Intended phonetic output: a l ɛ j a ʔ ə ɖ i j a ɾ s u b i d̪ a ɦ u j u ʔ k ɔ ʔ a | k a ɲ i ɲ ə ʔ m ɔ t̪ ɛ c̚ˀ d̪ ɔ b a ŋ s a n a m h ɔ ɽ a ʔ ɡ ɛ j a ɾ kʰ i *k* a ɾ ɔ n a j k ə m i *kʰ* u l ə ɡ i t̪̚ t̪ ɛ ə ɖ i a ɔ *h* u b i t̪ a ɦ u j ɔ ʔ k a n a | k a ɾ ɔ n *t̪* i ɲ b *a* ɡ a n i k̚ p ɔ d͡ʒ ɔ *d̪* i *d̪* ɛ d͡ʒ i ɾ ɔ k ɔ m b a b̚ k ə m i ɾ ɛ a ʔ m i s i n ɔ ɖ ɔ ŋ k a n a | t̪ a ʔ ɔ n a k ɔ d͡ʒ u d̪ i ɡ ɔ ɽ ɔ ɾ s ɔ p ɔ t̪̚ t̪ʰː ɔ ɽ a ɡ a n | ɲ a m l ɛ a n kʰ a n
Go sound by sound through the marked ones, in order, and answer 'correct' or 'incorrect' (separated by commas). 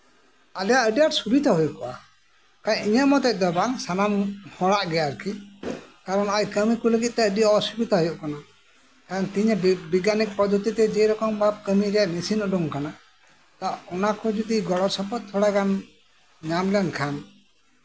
correct, incorrect, incorrect, correct, incorrect, incorrect, incorrect